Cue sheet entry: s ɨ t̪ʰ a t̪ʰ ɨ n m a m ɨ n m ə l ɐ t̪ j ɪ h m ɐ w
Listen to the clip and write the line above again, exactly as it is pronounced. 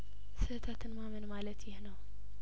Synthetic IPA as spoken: s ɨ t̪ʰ a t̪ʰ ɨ n m a m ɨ n m a l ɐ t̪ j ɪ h n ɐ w